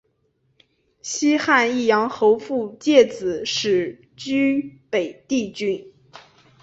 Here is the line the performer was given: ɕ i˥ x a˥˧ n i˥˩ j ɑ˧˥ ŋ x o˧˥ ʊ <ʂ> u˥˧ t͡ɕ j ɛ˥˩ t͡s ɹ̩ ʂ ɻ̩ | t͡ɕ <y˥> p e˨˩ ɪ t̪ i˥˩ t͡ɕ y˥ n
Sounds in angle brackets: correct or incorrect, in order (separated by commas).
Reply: incorrect, correct